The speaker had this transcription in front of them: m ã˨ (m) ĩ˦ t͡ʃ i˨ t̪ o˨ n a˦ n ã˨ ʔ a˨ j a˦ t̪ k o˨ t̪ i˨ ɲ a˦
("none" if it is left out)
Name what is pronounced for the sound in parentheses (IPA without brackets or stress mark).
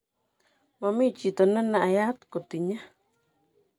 m